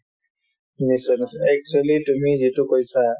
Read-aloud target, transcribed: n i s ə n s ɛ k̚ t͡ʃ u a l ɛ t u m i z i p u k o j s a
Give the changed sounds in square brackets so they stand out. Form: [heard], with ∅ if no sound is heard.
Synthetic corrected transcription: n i s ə n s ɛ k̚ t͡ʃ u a l [i] t u m i z i [t] u k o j s a

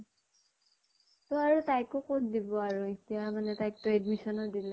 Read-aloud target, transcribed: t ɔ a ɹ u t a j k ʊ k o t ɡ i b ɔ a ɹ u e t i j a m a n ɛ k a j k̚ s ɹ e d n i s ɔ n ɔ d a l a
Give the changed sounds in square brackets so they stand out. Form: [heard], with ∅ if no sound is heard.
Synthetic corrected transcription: t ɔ a ɹ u t a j k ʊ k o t [d] i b ɔ a ɹ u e t i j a m a n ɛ [t] a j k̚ [t] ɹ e d [m] i s ɔ n ɔ d [i] l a

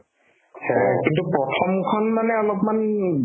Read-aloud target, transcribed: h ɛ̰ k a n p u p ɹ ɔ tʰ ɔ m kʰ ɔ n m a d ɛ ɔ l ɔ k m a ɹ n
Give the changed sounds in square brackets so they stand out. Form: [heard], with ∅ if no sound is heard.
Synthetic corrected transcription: h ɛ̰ k [i] n [t] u p ɹ ɔ tʰ ɔ m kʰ ɔ n m a [n] ɛ ɔ l ɔ [p] m a [∅] n

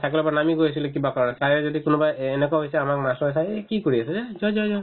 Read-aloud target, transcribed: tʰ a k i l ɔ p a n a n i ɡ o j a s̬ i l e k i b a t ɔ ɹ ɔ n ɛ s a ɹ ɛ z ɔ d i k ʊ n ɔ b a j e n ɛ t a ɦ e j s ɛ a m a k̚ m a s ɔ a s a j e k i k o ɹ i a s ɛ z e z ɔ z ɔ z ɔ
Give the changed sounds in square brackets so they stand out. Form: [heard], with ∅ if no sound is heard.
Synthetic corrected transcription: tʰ a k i l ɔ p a n a [m] i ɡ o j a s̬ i l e k i b a [k] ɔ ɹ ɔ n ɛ s a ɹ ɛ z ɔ d i k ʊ n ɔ b a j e n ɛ [k] a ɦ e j s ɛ a m a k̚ m a s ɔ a s a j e k i k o ɹ i a s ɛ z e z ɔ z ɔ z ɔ

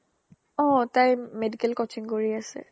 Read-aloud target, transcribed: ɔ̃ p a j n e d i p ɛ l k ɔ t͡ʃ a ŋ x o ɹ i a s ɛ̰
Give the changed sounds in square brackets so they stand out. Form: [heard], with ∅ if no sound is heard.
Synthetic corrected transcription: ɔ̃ [t] a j [m] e d i [k] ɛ l k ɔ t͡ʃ [i] ŋ [k] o ɹ i a s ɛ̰

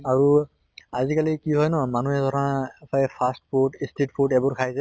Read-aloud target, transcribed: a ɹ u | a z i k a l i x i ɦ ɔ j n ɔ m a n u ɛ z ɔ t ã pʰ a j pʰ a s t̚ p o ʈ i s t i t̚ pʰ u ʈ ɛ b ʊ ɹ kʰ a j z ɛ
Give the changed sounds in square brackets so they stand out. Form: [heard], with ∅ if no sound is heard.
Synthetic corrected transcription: a ɹ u | a z i k a l i [k] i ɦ ɔ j n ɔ m a n u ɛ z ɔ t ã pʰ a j pʰ a s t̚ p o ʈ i s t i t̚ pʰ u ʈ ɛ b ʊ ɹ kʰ a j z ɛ

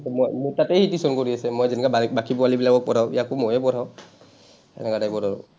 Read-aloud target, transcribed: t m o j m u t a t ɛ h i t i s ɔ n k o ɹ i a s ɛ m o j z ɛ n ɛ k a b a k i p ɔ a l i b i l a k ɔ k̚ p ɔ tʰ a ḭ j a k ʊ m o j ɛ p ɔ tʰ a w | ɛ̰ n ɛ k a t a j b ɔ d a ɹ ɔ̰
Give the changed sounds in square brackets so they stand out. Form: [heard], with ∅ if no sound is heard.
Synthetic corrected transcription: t m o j m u t a t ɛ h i t i s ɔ n k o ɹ i a s ɛ m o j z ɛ n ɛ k a b a k i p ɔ a l i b i l a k ɔ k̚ p ɔ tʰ a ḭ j a k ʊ m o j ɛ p ɔ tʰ a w | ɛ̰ n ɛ k a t a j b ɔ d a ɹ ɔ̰

